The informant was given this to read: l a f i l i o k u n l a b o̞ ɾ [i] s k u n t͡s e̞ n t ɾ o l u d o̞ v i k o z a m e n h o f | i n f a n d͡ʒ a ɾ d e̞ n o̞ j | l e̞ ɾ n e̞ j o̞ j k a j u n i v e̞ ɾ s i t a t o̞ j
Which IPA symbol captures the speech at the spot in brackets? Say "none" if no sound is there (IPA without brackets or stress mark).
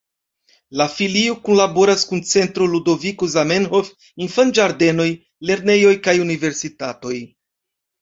a